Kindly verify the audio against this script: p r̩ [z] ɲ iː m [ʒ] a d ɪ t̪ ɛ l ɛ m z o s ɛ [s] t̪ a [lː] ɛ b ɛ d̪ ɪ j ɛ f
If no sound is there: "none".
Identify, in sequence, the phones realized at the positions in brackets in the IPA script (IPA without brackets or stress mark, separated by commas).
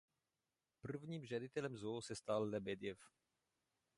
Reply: v, ʒ, s, lː